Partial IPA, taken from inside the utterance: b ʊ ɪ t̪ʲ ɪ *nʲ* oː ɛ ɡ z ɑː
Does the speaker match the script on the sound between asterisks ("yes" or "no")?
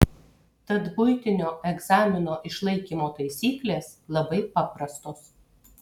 yes